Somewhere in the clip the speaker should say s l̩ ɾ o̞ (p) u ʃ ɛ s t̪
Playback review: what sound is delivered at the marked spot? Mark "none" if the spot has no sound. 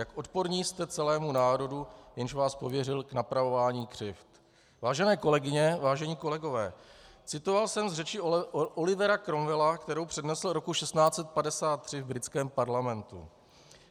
k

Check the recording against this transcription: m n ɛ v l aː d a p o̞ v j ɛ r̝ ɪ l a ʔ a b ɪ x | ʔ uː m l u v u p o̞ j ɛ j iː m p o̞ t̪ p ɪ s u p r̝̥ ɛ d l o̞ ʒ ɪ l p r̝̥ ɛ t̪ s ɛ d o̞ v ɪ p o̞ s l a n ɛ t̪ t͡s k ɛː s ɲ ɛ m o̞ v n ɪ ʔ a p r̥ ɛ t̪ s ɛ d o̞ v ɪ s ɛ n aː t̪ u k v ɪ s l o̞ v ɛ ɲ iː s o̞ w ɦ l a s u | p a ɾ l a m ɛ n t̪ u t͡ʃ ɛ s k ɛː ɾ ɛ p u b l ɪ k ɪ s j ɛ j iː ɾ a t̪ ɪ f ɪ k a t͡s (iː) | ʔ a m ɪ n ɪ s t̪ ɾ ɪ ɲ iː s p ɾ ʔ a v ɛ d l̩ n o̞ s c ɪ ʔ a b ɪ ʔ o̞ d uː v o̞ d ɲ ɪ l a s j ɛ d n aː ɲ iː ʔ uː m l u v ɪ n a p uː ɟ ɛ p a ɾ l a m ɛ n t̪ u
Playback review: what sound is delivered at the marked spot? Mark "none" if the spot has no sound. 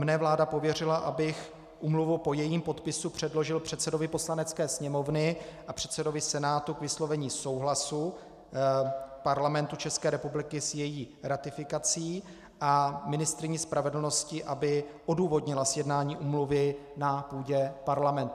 iː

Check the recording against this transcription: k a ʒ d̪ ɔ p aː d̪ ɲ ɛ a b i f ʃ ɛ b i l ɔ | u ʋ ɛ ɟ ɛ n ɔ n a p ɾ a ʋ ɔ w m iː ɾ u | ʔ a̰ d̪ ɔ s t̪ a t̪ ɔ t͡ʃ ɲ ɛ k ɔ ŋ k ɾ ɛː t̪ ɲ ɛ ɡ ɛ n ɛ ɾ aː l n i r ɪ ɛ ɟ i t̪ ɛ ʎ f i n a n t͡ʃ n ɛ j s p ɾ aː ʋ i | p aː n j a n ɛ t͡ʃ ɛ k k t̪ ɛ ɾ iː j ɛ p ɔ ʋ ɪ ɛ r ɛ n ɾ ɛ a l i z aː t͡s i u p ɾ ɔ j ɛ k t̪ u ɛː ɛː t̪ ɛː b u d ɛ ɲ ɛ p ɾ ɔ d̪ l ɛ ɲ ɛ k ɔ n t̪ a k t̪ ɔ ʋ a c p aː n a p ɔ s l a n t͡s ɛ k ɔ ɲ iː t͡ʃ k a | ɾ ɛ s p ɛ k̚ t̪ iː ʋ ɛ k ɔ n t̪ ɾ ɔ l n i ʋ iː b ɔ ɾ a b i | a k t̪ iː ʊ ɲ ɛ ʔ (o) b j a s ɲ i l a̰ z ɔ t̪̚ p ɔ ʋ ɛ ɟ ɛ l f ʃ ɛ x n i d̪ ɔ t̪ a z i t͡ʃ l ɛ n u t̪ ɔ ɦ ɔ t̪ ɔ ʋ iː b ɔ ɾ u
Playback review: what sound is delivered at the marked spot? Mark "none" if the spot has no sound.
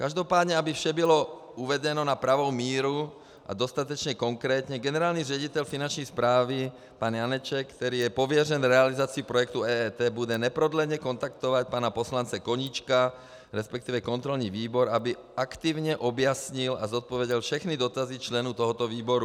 ɔ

